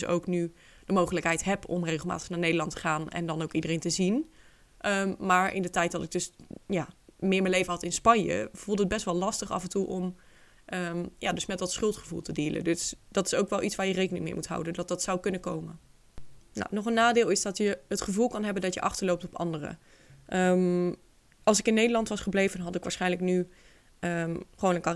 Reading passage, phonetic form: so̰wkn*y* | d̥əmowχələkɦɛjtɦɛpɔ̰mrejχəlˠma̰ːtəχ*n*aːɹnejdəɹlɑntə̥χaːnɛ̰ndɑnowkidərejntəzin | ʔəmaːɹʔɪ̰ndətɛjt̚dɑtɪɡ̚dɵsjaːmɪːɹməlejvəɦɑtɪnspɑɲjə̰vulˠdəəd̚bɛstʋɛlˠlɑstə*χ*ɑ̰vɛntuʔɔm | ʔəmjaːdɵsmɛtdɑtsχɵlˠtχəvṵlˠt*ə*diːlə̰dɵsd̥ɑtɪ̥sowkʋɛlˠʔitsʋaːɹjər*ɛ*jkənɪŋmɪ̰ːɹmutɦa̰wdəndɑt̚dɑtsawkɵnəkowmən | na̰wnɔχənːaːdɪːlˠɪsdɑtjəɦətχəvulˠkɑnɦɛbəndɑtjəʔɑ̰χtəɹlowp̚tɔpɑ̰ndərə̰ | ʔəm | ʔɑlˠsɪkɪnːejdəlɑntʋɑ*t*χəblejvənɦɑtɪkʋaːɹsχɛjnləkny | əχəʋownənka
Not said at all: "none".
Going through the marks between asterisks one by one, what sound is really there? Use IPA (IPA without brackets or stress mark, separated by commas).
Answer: y, n, χ, ə, e, s